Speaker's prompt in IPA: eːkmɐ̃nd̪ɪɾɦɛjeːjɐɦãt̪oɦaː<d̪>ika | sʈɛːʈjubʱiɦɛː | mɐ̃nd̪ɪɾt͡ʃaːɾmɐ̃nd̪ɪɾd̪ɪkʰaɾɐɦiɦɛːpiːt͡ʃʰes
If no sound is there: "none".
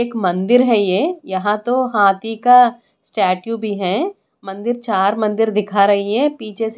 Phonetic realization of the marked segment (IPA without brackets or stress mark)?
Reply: t̪